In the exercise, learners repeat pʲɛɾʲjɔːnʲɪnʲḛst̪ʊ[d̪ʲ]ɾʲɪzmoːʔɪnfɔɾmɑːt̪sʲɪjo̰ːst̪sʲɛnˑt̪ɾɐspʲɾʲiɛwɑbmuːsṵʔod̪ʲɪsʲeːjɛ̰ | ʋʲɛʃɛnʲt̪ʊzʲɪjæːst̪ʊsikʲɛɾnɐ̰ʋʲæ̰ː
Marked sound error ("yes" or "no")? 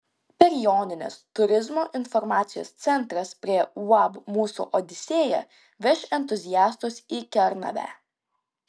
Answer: yes